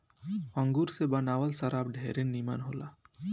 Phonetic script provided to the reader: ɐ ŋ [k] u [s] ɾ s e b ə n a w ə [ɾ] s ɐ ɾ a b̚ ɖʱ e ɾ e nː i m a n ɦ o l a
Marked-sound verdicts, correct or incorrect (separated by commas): incorrect, incorrect, incorrect